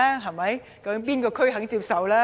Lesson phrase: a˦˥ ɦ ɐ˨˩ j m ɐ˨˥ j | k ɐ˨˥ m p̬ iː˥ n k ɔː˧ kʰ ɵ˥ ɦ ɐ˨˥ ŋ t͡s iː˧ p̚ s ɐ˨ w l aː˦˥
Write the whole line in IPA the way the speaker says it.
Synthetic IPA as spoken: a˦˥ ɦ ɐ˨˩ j m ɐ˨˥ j | k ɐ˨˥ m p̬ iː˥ n k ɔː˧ kʰ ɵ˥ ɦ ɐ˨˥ ŋ t͡s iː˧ p̚ s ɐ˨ w l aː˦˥

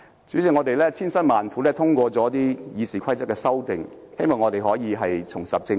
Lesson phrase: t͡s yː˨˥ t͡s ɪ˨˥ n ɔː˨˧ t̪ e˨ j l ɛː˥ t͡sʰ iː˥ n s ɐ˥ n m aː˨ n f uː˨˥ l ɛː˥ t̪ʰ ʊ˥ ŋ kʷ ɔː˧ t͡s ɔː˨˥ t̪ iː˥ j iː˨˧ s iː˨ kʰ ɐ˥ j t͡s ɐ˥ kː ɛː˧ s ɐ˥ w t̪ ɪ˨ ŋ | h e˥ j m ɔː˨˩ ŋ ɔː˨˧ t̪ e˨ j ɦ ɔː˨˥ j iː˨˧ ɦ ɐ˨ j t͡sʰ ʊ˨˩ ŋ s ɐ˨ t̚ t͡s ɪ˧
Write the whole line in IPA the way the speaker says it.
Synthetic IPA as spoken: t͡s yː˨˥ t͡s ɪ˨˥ ŋ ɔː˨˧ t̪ e˨ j l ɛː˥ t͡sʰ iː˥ n s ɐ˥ n m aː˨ n f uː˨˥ l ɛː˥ t̪ʰ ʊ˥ ŋ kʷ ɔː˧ t͡s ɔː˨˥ t̪ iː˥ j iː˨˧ s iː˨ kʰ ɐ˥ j t͡s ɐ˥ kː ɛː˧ s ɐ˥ w t̪ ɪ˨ ŋ | h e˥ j m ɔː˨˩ ŋ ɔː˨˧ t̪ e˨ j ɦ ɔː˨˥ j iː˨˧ ɦ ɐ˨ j t͡sʰ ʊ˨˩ ŋ s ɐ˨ p̚ t͡s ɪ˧

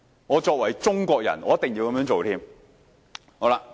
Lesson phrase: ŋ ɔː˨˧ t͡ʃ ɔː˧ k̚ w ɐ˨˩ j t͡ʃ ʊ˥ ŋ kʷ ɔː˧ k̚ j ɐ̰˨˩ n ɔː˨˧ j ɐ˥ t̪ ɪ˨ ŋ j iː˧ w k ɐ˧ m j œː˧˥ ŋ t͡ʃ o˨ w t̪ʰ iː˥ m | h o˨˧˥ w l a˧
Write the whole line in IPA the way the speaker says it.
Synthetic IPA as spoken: ŋ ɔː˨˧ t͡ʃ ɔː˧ k̚ w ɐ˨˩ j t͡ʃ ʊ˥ ŋ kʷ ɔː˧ k̚ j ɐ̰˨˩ n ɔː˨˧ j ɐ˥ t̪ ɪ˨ ŋ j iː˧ w k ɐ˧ m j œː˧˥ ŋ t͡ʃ o˨ w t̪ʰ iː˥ m | h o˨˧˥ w l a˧

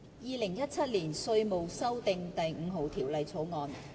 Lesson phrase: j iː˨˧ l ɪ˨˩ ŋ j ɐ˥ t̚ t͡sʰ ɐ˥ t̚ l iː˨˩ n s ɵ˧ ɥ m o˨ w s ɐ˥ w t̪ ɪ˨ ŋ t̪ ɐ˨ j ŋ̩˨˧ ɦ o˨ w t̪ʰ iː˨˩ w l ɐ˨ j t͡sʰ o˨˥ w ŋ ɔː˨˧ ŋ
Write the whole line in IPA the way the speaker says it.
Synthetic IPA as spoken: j iː˨˧ l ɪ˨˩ ŋ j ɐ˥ t̚ t͡sʰ ɐ˥ t̚ l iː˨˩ n s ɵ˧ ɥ m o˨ w s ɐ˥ w t̪ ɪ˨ ŋ t̪ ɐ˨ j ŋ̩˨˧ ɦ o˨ w t̪ʰ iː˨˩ w l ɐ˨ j t͡sʰ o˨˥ w ŋ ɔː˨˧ n

